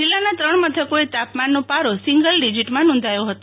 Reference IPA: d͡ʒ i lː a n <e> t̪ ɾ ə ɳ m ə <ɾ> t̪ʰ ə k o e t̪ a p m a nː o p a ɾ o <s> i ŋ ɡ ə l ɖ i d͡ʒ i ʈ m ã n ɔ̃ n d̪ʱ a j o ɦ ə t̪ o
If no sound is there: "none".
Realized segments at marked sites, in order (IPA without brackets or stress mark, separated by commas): a, none, s